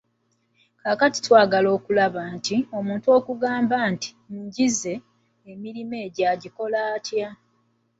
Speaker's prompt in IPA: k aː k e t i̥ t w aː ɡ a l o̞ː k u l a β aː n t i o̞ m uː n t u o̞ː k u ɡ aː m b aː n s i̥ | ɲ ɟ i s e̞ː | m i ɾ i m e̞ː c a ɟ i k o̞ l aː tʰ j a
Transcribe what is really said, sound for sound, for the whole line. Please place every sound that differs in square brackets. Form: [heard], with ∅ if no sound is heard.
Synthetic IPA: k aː k [a] t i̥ t w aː ɡ a l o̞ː k u l a β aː n t i o̞ m uː n t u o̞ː k u ɡ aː m b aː n [t] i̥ | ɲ ɟ i [z] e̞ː | m i ɾ i m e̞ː [ɟ] a ɟ i k o̞ l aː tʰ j a